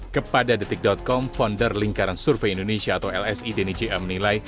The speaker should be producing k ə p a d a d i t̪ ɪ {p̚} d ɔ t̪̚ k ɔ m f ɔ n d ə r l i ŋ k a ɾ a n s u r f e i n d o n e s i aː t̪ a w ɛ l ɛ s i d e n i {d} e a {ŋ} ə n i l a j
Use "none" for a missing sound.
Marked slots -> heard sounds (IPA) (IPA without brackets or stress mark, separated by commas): k̚, d͡ʒ, m